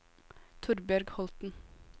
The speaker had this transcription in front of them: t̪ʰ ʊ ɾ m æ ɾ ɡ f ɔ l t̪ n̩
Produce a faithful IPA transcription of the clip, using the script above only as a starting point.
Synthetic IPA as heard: t̪ʰ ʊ ɾ b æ ɾ ɡ h ɔ l t̪ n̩